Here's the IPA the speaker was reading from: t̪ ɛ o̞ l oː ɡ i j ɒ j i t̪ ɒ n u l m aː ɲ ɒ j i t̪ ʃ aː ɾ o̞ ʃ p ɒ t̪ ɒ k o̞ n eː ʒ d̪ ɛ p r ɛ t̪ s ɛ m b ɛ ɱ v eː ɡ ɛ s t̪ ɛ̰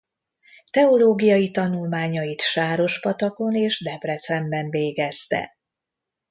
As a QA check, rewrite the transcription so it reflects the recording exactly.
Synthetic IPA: t̪ ɛ o̞ l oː ɡ i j ɒ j i t̪ ɒ n u l m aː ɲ ɒ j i t̪ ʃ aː ɾ o̞ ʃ p ɒ t̪ ɒ k o̞ n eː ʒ d̪ ɛ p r ɛ t̪ s ɛ m b ɛ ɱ v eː ɡ ɛ s t̪ ɛ̰